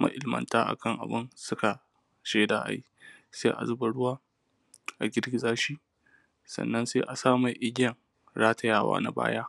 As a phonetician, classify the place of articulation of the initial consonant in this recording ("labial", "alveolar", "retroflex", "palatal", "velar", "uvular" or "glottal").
labial